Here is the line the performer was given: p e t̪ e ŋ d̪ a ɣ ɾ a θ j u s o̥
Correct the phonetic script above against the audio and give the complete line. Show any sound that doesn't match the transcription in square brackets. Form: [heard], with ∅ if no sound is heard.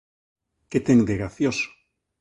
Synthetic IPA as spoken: [k] e t̪ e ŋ d̪ [e] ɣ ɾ a θ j [o] s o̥